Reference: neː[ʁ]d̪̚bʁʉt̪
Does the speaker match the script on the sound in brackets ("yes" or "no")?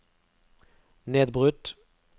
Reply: no